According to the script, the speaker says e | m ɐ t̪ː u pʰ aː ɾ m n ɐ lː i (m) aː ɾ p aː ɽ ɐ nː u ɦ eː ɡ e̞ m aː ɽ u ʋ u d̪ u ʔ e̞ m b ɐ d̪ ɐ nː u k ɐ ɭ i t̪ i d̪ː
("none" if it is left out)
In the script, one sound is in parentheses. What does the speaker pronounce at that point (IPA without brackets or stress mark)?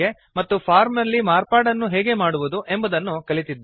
m